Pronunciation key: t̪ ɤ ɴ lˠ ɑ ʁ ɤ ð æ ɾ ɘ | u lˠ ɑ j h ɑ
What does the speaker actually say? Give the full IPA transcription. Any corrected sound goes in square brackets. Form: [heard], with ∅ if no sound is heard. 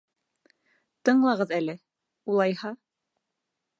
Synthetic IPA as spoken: t̪ ɤ ɴ lˠ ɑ ʁ ɤ ð æ [l] ɘ | u lˠ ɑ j h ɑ